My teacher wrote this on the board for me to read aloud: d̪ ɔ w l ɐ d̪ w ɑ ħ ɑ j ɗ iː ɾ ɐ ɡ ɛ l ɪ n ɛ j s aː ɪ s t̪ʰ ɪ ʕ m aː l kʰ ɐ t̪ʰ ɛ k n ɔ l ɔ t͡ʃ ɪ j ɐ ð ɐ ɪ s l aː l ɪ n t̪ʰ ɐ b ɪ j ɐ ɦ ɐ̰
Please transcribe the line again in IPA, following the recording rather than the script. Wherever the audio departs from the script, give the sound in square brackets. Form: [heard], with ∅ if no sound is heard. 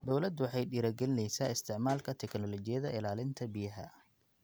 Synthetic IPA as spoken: d̪ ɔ w l ɐ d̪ w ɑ ħ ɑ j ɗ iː ɾ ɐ ɡ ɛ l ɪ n ɛ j s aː ɪ s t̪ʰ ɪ ʕ m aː l kʰ ɐ t̪ʰ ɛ k n ɔ l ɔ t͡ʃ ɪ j ɐ ð ɐ ɪ [∅] l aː l ɪ n t̪ʰ ɐ b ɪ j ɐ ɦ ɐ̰